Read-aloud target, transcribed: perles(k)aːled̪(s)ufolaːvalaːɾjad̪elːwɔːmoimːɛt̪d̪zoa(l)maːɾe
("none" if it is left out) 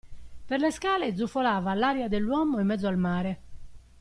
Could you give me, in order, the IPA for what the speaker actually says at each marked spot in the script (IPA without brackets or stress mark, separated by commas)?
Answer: k, z, l